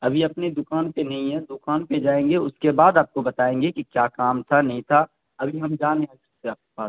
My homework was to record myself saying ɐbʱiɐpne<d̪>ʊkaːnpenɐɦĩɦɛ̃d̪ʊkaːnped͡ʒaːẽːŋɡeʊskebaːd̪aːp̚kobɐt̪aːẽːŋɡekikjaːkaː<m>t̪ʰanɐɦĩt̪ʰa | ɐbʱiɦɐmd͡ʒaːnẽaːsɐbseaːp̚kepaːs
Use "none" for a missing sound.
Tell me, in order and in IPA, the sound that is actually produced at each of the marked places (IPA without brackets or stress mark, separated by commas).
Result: d̪, m